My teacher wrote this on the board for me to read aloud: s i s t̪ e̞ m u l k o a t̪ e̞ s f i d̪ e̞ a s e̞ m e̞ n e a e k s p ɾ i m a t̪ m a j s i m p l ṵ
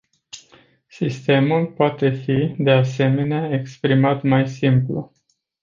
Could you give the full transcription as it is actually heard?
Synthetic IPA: s i s t̪ e̞ m u l p o a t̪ e̞ f i d̪ e̞ a s e̞ m e̞ n e a e k s p ɾ i m a t̪ m a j s i m p l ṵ